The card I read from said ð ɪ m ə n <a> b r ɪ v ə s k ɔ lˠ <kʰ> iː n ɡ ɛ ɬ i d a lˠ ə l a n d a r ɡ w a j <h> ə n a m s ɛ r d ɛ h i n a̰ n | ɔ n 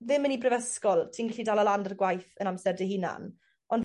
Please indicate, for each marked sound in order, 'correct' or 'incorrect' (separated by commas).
incorrect, incorrect, incorrect